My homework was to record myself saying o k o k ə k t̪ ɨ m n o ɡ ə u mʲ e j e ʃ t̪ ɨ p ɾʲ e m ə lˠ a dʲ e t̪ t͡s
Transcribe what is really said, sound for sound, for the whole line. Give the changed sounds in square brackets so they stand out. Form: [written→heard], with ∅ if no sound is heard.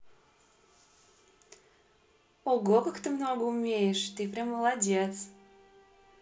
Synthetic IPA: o [k→ɡ] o k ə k t̪ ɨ m n o ɡ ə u mʲ e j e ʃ t̪ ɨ p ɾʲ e m ə lˠ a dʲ e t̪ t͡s